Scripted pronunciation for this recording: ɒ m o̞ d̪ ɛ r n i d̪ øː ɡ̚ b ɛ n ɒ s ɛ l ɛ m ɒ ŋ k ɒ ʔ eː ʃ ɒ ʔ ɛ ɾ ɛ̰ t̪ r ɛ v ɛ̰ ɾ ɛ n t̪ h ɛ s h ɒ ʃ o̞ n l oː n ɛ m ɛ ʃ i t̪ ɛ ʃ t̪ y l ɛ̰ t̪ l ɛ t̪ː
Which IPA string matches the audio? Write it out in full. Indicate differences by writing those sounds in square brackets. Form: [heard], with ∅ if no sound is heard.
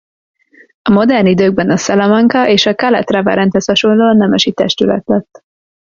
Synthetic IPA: ɒ m o̞ d̪ ɛ r n i d̪ øː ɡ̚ b ɛ n ɒ s ɛ l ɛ m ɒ ŋ k ɒ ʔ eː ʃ ɒ [k] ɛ [l] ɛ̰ t̪ r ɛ v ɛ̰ ɾ ɛ n t̪ h ɛ s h ɒ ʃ o̞ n l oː n ɛ m ɛ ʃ i t̪ ɛ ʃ t̪ y l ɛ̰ t̪ l ɛ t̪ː